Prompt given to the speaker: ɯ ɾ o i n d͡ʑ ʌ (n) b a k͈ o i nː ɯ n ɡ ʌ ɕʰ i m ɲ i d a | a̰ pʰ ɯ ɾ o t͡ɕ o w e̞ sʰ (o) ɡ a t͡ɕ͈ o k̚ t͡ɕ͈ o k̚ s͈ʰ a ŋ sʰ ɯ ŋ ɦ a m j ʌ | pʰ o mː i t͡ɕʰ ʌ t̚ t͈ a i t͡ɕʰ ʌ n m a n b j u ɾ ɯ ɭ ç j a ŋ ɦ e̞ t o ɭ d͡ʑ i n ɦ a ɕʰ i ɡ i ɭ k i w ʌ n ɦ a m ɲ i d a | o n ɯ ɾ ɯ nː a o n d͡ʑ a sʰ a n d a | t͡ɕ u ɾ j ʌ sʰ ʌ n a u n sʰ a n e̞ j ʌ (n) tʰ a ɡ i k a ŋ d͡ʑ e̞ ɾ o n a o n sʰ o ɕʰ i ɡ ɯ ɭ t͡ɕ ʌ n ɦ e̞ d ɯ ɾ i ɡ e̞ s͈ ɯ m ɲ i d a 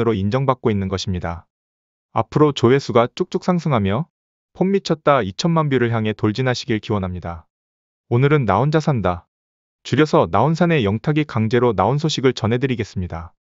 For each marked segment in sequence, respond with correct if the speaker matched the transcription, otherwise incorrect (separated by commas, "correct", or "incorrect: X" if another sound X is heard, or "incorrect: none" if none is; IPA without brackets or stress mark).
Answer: incorrect: ŋ, incorrect: u, incorrect: ŋ